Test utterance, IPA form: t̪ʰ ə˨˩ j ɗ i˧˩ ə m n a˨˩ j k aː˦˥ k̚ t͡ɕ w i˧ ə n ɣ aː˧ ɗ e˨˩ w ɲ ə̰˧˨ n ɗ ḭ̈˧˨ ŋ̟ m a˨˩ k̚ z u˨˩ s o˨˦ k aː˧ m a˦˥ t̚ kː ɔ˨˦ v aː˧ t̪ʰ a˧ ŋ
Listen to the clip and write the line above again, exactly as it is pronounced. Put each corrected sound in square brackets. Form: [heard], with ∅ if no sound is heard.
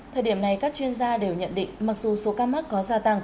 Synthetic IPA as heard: t̪ʰ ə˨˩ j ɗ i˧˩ ə m n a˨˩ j k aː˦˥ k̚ t͡ɕ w i˧ ə n [z] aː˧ ɗ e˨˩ w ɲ ə̰˧˨ n ɗ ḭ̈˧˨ ŋ̟ m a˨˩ k̚ z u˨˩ s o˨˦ k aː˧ m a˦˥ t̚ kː ɔ˨˦ [z] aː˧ [t̪] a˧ ŋ